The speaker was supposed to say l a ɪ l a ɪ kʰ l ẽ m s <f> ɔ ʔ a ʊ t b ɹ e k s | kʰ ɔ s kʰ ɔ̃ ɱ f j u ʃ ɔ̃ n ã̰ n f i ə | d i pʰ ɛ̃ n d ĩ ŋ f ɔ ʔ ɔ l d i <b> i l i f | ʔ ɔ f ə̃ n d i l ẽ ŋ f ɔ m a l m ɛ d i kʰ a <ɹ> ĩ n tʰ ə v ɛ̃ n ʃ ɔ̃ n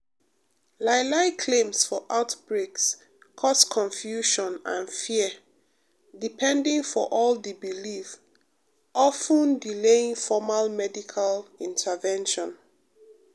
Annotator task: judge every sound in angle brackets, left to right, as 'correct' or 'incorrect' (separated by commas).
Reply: correct, correct, incorrect